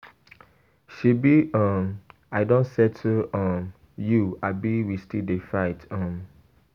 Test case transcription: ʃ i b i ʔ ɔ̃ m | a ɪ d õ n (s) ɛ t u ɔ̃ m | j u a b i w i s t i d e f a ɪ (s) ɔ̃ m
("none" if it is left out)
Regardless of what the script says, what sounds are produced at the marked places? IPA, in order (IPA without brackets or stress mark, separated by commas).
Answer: s, t